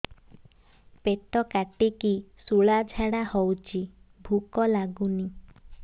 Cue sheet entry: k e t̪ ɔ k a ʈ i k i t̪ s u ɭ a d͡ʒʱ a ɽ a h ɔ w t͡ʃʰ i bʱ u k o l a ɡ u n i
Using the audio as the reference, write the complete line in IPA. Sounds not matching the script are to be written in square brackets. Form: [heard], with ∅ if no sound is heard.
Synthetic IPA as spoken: [p] e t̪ ɔ k a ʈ i k i [∅] s u ɭ a d͡ʒʱ a ɽ a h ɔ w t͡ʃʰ i bʱ u k [ɔ] l a ɡ u n i

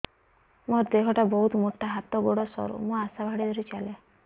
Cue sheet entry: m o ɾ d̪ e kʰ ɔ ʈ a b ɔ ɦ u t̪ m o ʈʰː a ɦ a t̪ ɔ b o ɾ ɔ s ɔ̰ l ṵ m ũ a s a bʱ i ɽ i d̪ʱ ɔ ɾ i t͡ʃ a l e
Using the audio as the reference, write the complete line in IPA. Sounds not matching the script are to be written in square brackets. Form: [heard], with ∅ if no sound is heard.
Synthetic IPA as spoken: m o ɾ d̪ e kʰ ɔ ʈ a b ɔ ɦ u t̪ m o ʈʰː a ɦ a t̪ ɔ [ɡ] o [ɽ] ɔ s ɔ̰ [ɾ] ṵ m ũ a s a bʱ [a] ɽ i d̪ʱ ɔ ɾ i t͡ʃ a l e

